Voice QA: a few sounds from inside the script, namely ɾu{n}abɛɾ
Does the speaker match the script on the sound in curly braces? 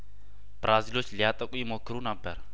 yes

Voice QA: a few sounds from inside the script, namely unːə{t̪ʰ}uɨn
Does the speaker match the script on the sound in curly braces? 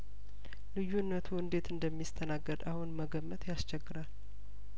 yes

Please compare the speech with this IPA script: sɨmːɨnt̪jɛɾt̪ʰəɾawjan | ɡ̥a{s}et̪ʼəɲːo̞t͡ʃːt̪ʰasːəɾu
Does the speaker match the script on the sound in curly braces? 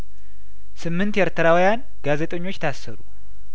no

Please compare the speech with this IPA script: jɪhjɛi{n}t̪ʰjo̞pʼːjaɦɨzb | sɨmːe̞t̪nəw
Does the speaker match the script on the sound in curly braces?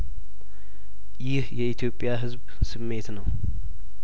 no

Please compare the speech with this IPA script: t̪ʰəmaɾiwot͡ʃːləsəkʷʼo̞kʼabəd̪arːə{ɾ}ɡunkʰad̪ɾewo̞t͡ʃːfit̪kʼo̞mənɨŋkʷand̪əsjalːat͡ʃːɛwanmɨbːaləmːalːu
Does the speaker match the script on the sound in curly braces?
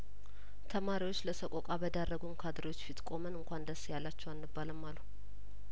no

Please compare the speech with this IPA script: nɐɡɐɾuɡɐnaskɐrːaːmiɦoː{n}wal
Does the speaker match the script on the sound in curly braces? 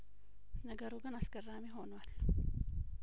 yes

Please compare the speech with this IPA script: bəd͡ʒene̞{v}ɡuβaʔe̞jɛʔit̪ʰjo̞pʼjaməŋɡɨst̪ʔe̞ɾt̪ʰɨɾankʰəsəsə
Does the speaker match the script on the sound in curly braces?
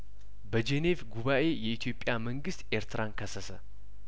yes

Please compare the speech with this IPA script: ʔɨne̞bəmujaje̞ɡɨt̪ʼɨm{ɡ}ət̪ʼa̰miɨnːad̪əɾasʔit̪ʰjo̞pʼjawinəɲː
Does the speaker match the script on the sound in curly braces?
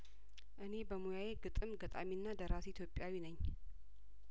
yes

